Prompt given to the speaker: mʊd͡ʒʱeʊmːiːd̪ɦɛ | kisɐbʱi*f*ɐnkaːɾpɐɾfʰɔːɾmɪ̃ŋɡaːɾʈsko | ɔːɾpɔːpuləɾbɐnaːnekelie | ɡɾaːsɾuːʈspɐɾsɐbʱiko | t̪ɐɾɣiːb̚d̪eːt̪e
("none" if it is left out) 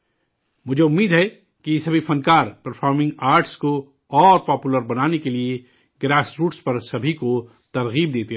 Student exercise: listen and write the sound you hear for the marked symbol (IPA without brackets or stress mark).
f